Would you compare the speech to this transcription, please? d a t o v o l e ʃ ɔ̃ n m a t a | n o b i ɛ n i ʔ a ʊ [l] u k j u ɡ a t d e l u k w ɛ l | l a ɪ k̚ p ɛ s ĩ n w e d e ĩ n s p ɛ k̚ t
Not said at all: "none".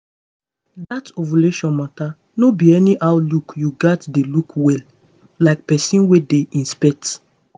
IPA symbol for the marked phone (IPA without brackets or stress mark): l